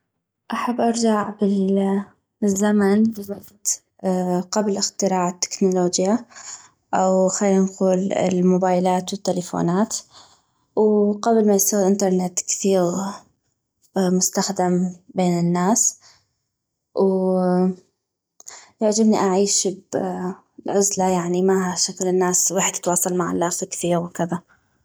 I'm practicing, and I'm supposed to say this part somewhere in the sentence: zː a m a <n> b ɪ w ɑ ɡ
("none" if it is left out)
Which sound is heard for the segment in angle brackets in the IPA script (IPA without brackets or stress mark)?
n